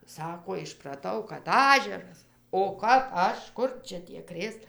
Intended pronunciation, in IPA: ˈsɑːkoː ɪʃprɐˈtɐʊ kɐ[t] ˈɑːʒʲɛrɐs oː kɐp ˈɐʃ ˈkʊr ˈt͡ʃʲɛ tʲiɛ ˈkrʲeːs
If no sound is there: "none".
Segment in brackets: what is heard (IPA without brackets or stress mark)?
t